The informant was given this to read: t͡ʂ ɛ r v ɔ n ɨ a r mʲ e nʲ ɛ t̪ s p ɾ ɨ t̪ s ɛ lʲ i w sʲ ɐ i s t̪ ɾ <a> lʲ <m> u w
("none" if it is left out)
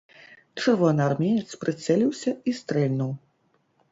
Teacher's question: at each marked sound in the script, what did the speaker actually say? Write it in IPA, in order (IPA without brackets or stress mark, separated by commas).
ɛ, n